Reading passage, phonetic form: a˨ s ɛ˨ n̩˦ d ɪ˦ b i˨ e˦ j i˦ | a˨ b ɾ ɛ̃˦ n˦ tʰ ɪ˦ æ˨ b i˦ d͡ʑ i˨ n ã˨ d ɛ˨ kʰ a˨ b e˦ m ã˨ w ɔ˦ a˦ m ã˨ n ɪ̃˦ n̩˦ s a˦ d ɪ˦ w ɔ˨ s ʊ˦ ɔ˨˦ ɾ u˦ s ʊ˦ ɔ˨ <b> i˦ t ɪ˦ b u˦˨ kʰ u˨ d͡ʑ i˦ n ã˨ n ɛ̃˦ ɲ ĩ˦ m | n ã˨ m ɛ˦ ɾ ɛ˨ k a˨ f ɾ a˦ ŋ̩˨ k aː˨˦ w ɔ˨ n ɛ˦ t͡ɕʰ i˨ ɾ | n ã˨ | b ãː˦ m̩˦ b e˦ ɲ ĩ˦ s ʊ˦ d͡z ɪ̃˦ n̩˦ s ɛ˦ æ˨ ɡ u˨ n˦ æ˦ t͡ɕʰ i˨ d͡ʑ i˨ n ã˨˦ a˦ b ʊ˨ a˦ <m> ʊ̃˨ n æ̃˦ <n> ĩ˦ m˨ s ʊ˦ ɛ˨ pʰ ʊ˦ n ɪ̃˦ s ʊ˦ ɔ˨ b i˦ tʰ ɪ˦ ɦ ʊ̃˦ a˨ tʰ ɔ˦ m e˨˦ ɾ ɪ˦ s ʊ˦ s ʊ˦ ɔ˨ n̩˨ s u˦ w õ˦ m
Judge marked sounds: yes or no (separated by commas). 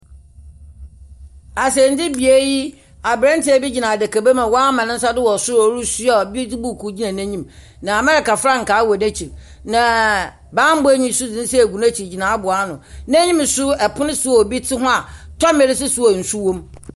yes, no, no